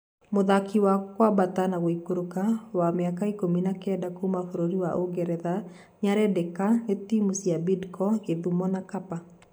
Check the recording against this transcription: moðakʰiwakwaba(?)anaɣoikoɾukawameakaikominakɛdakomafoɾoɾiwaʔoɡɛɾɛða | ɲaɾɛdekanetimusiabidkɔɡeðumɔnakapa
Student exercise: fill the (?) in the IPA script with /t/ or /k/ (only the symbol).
t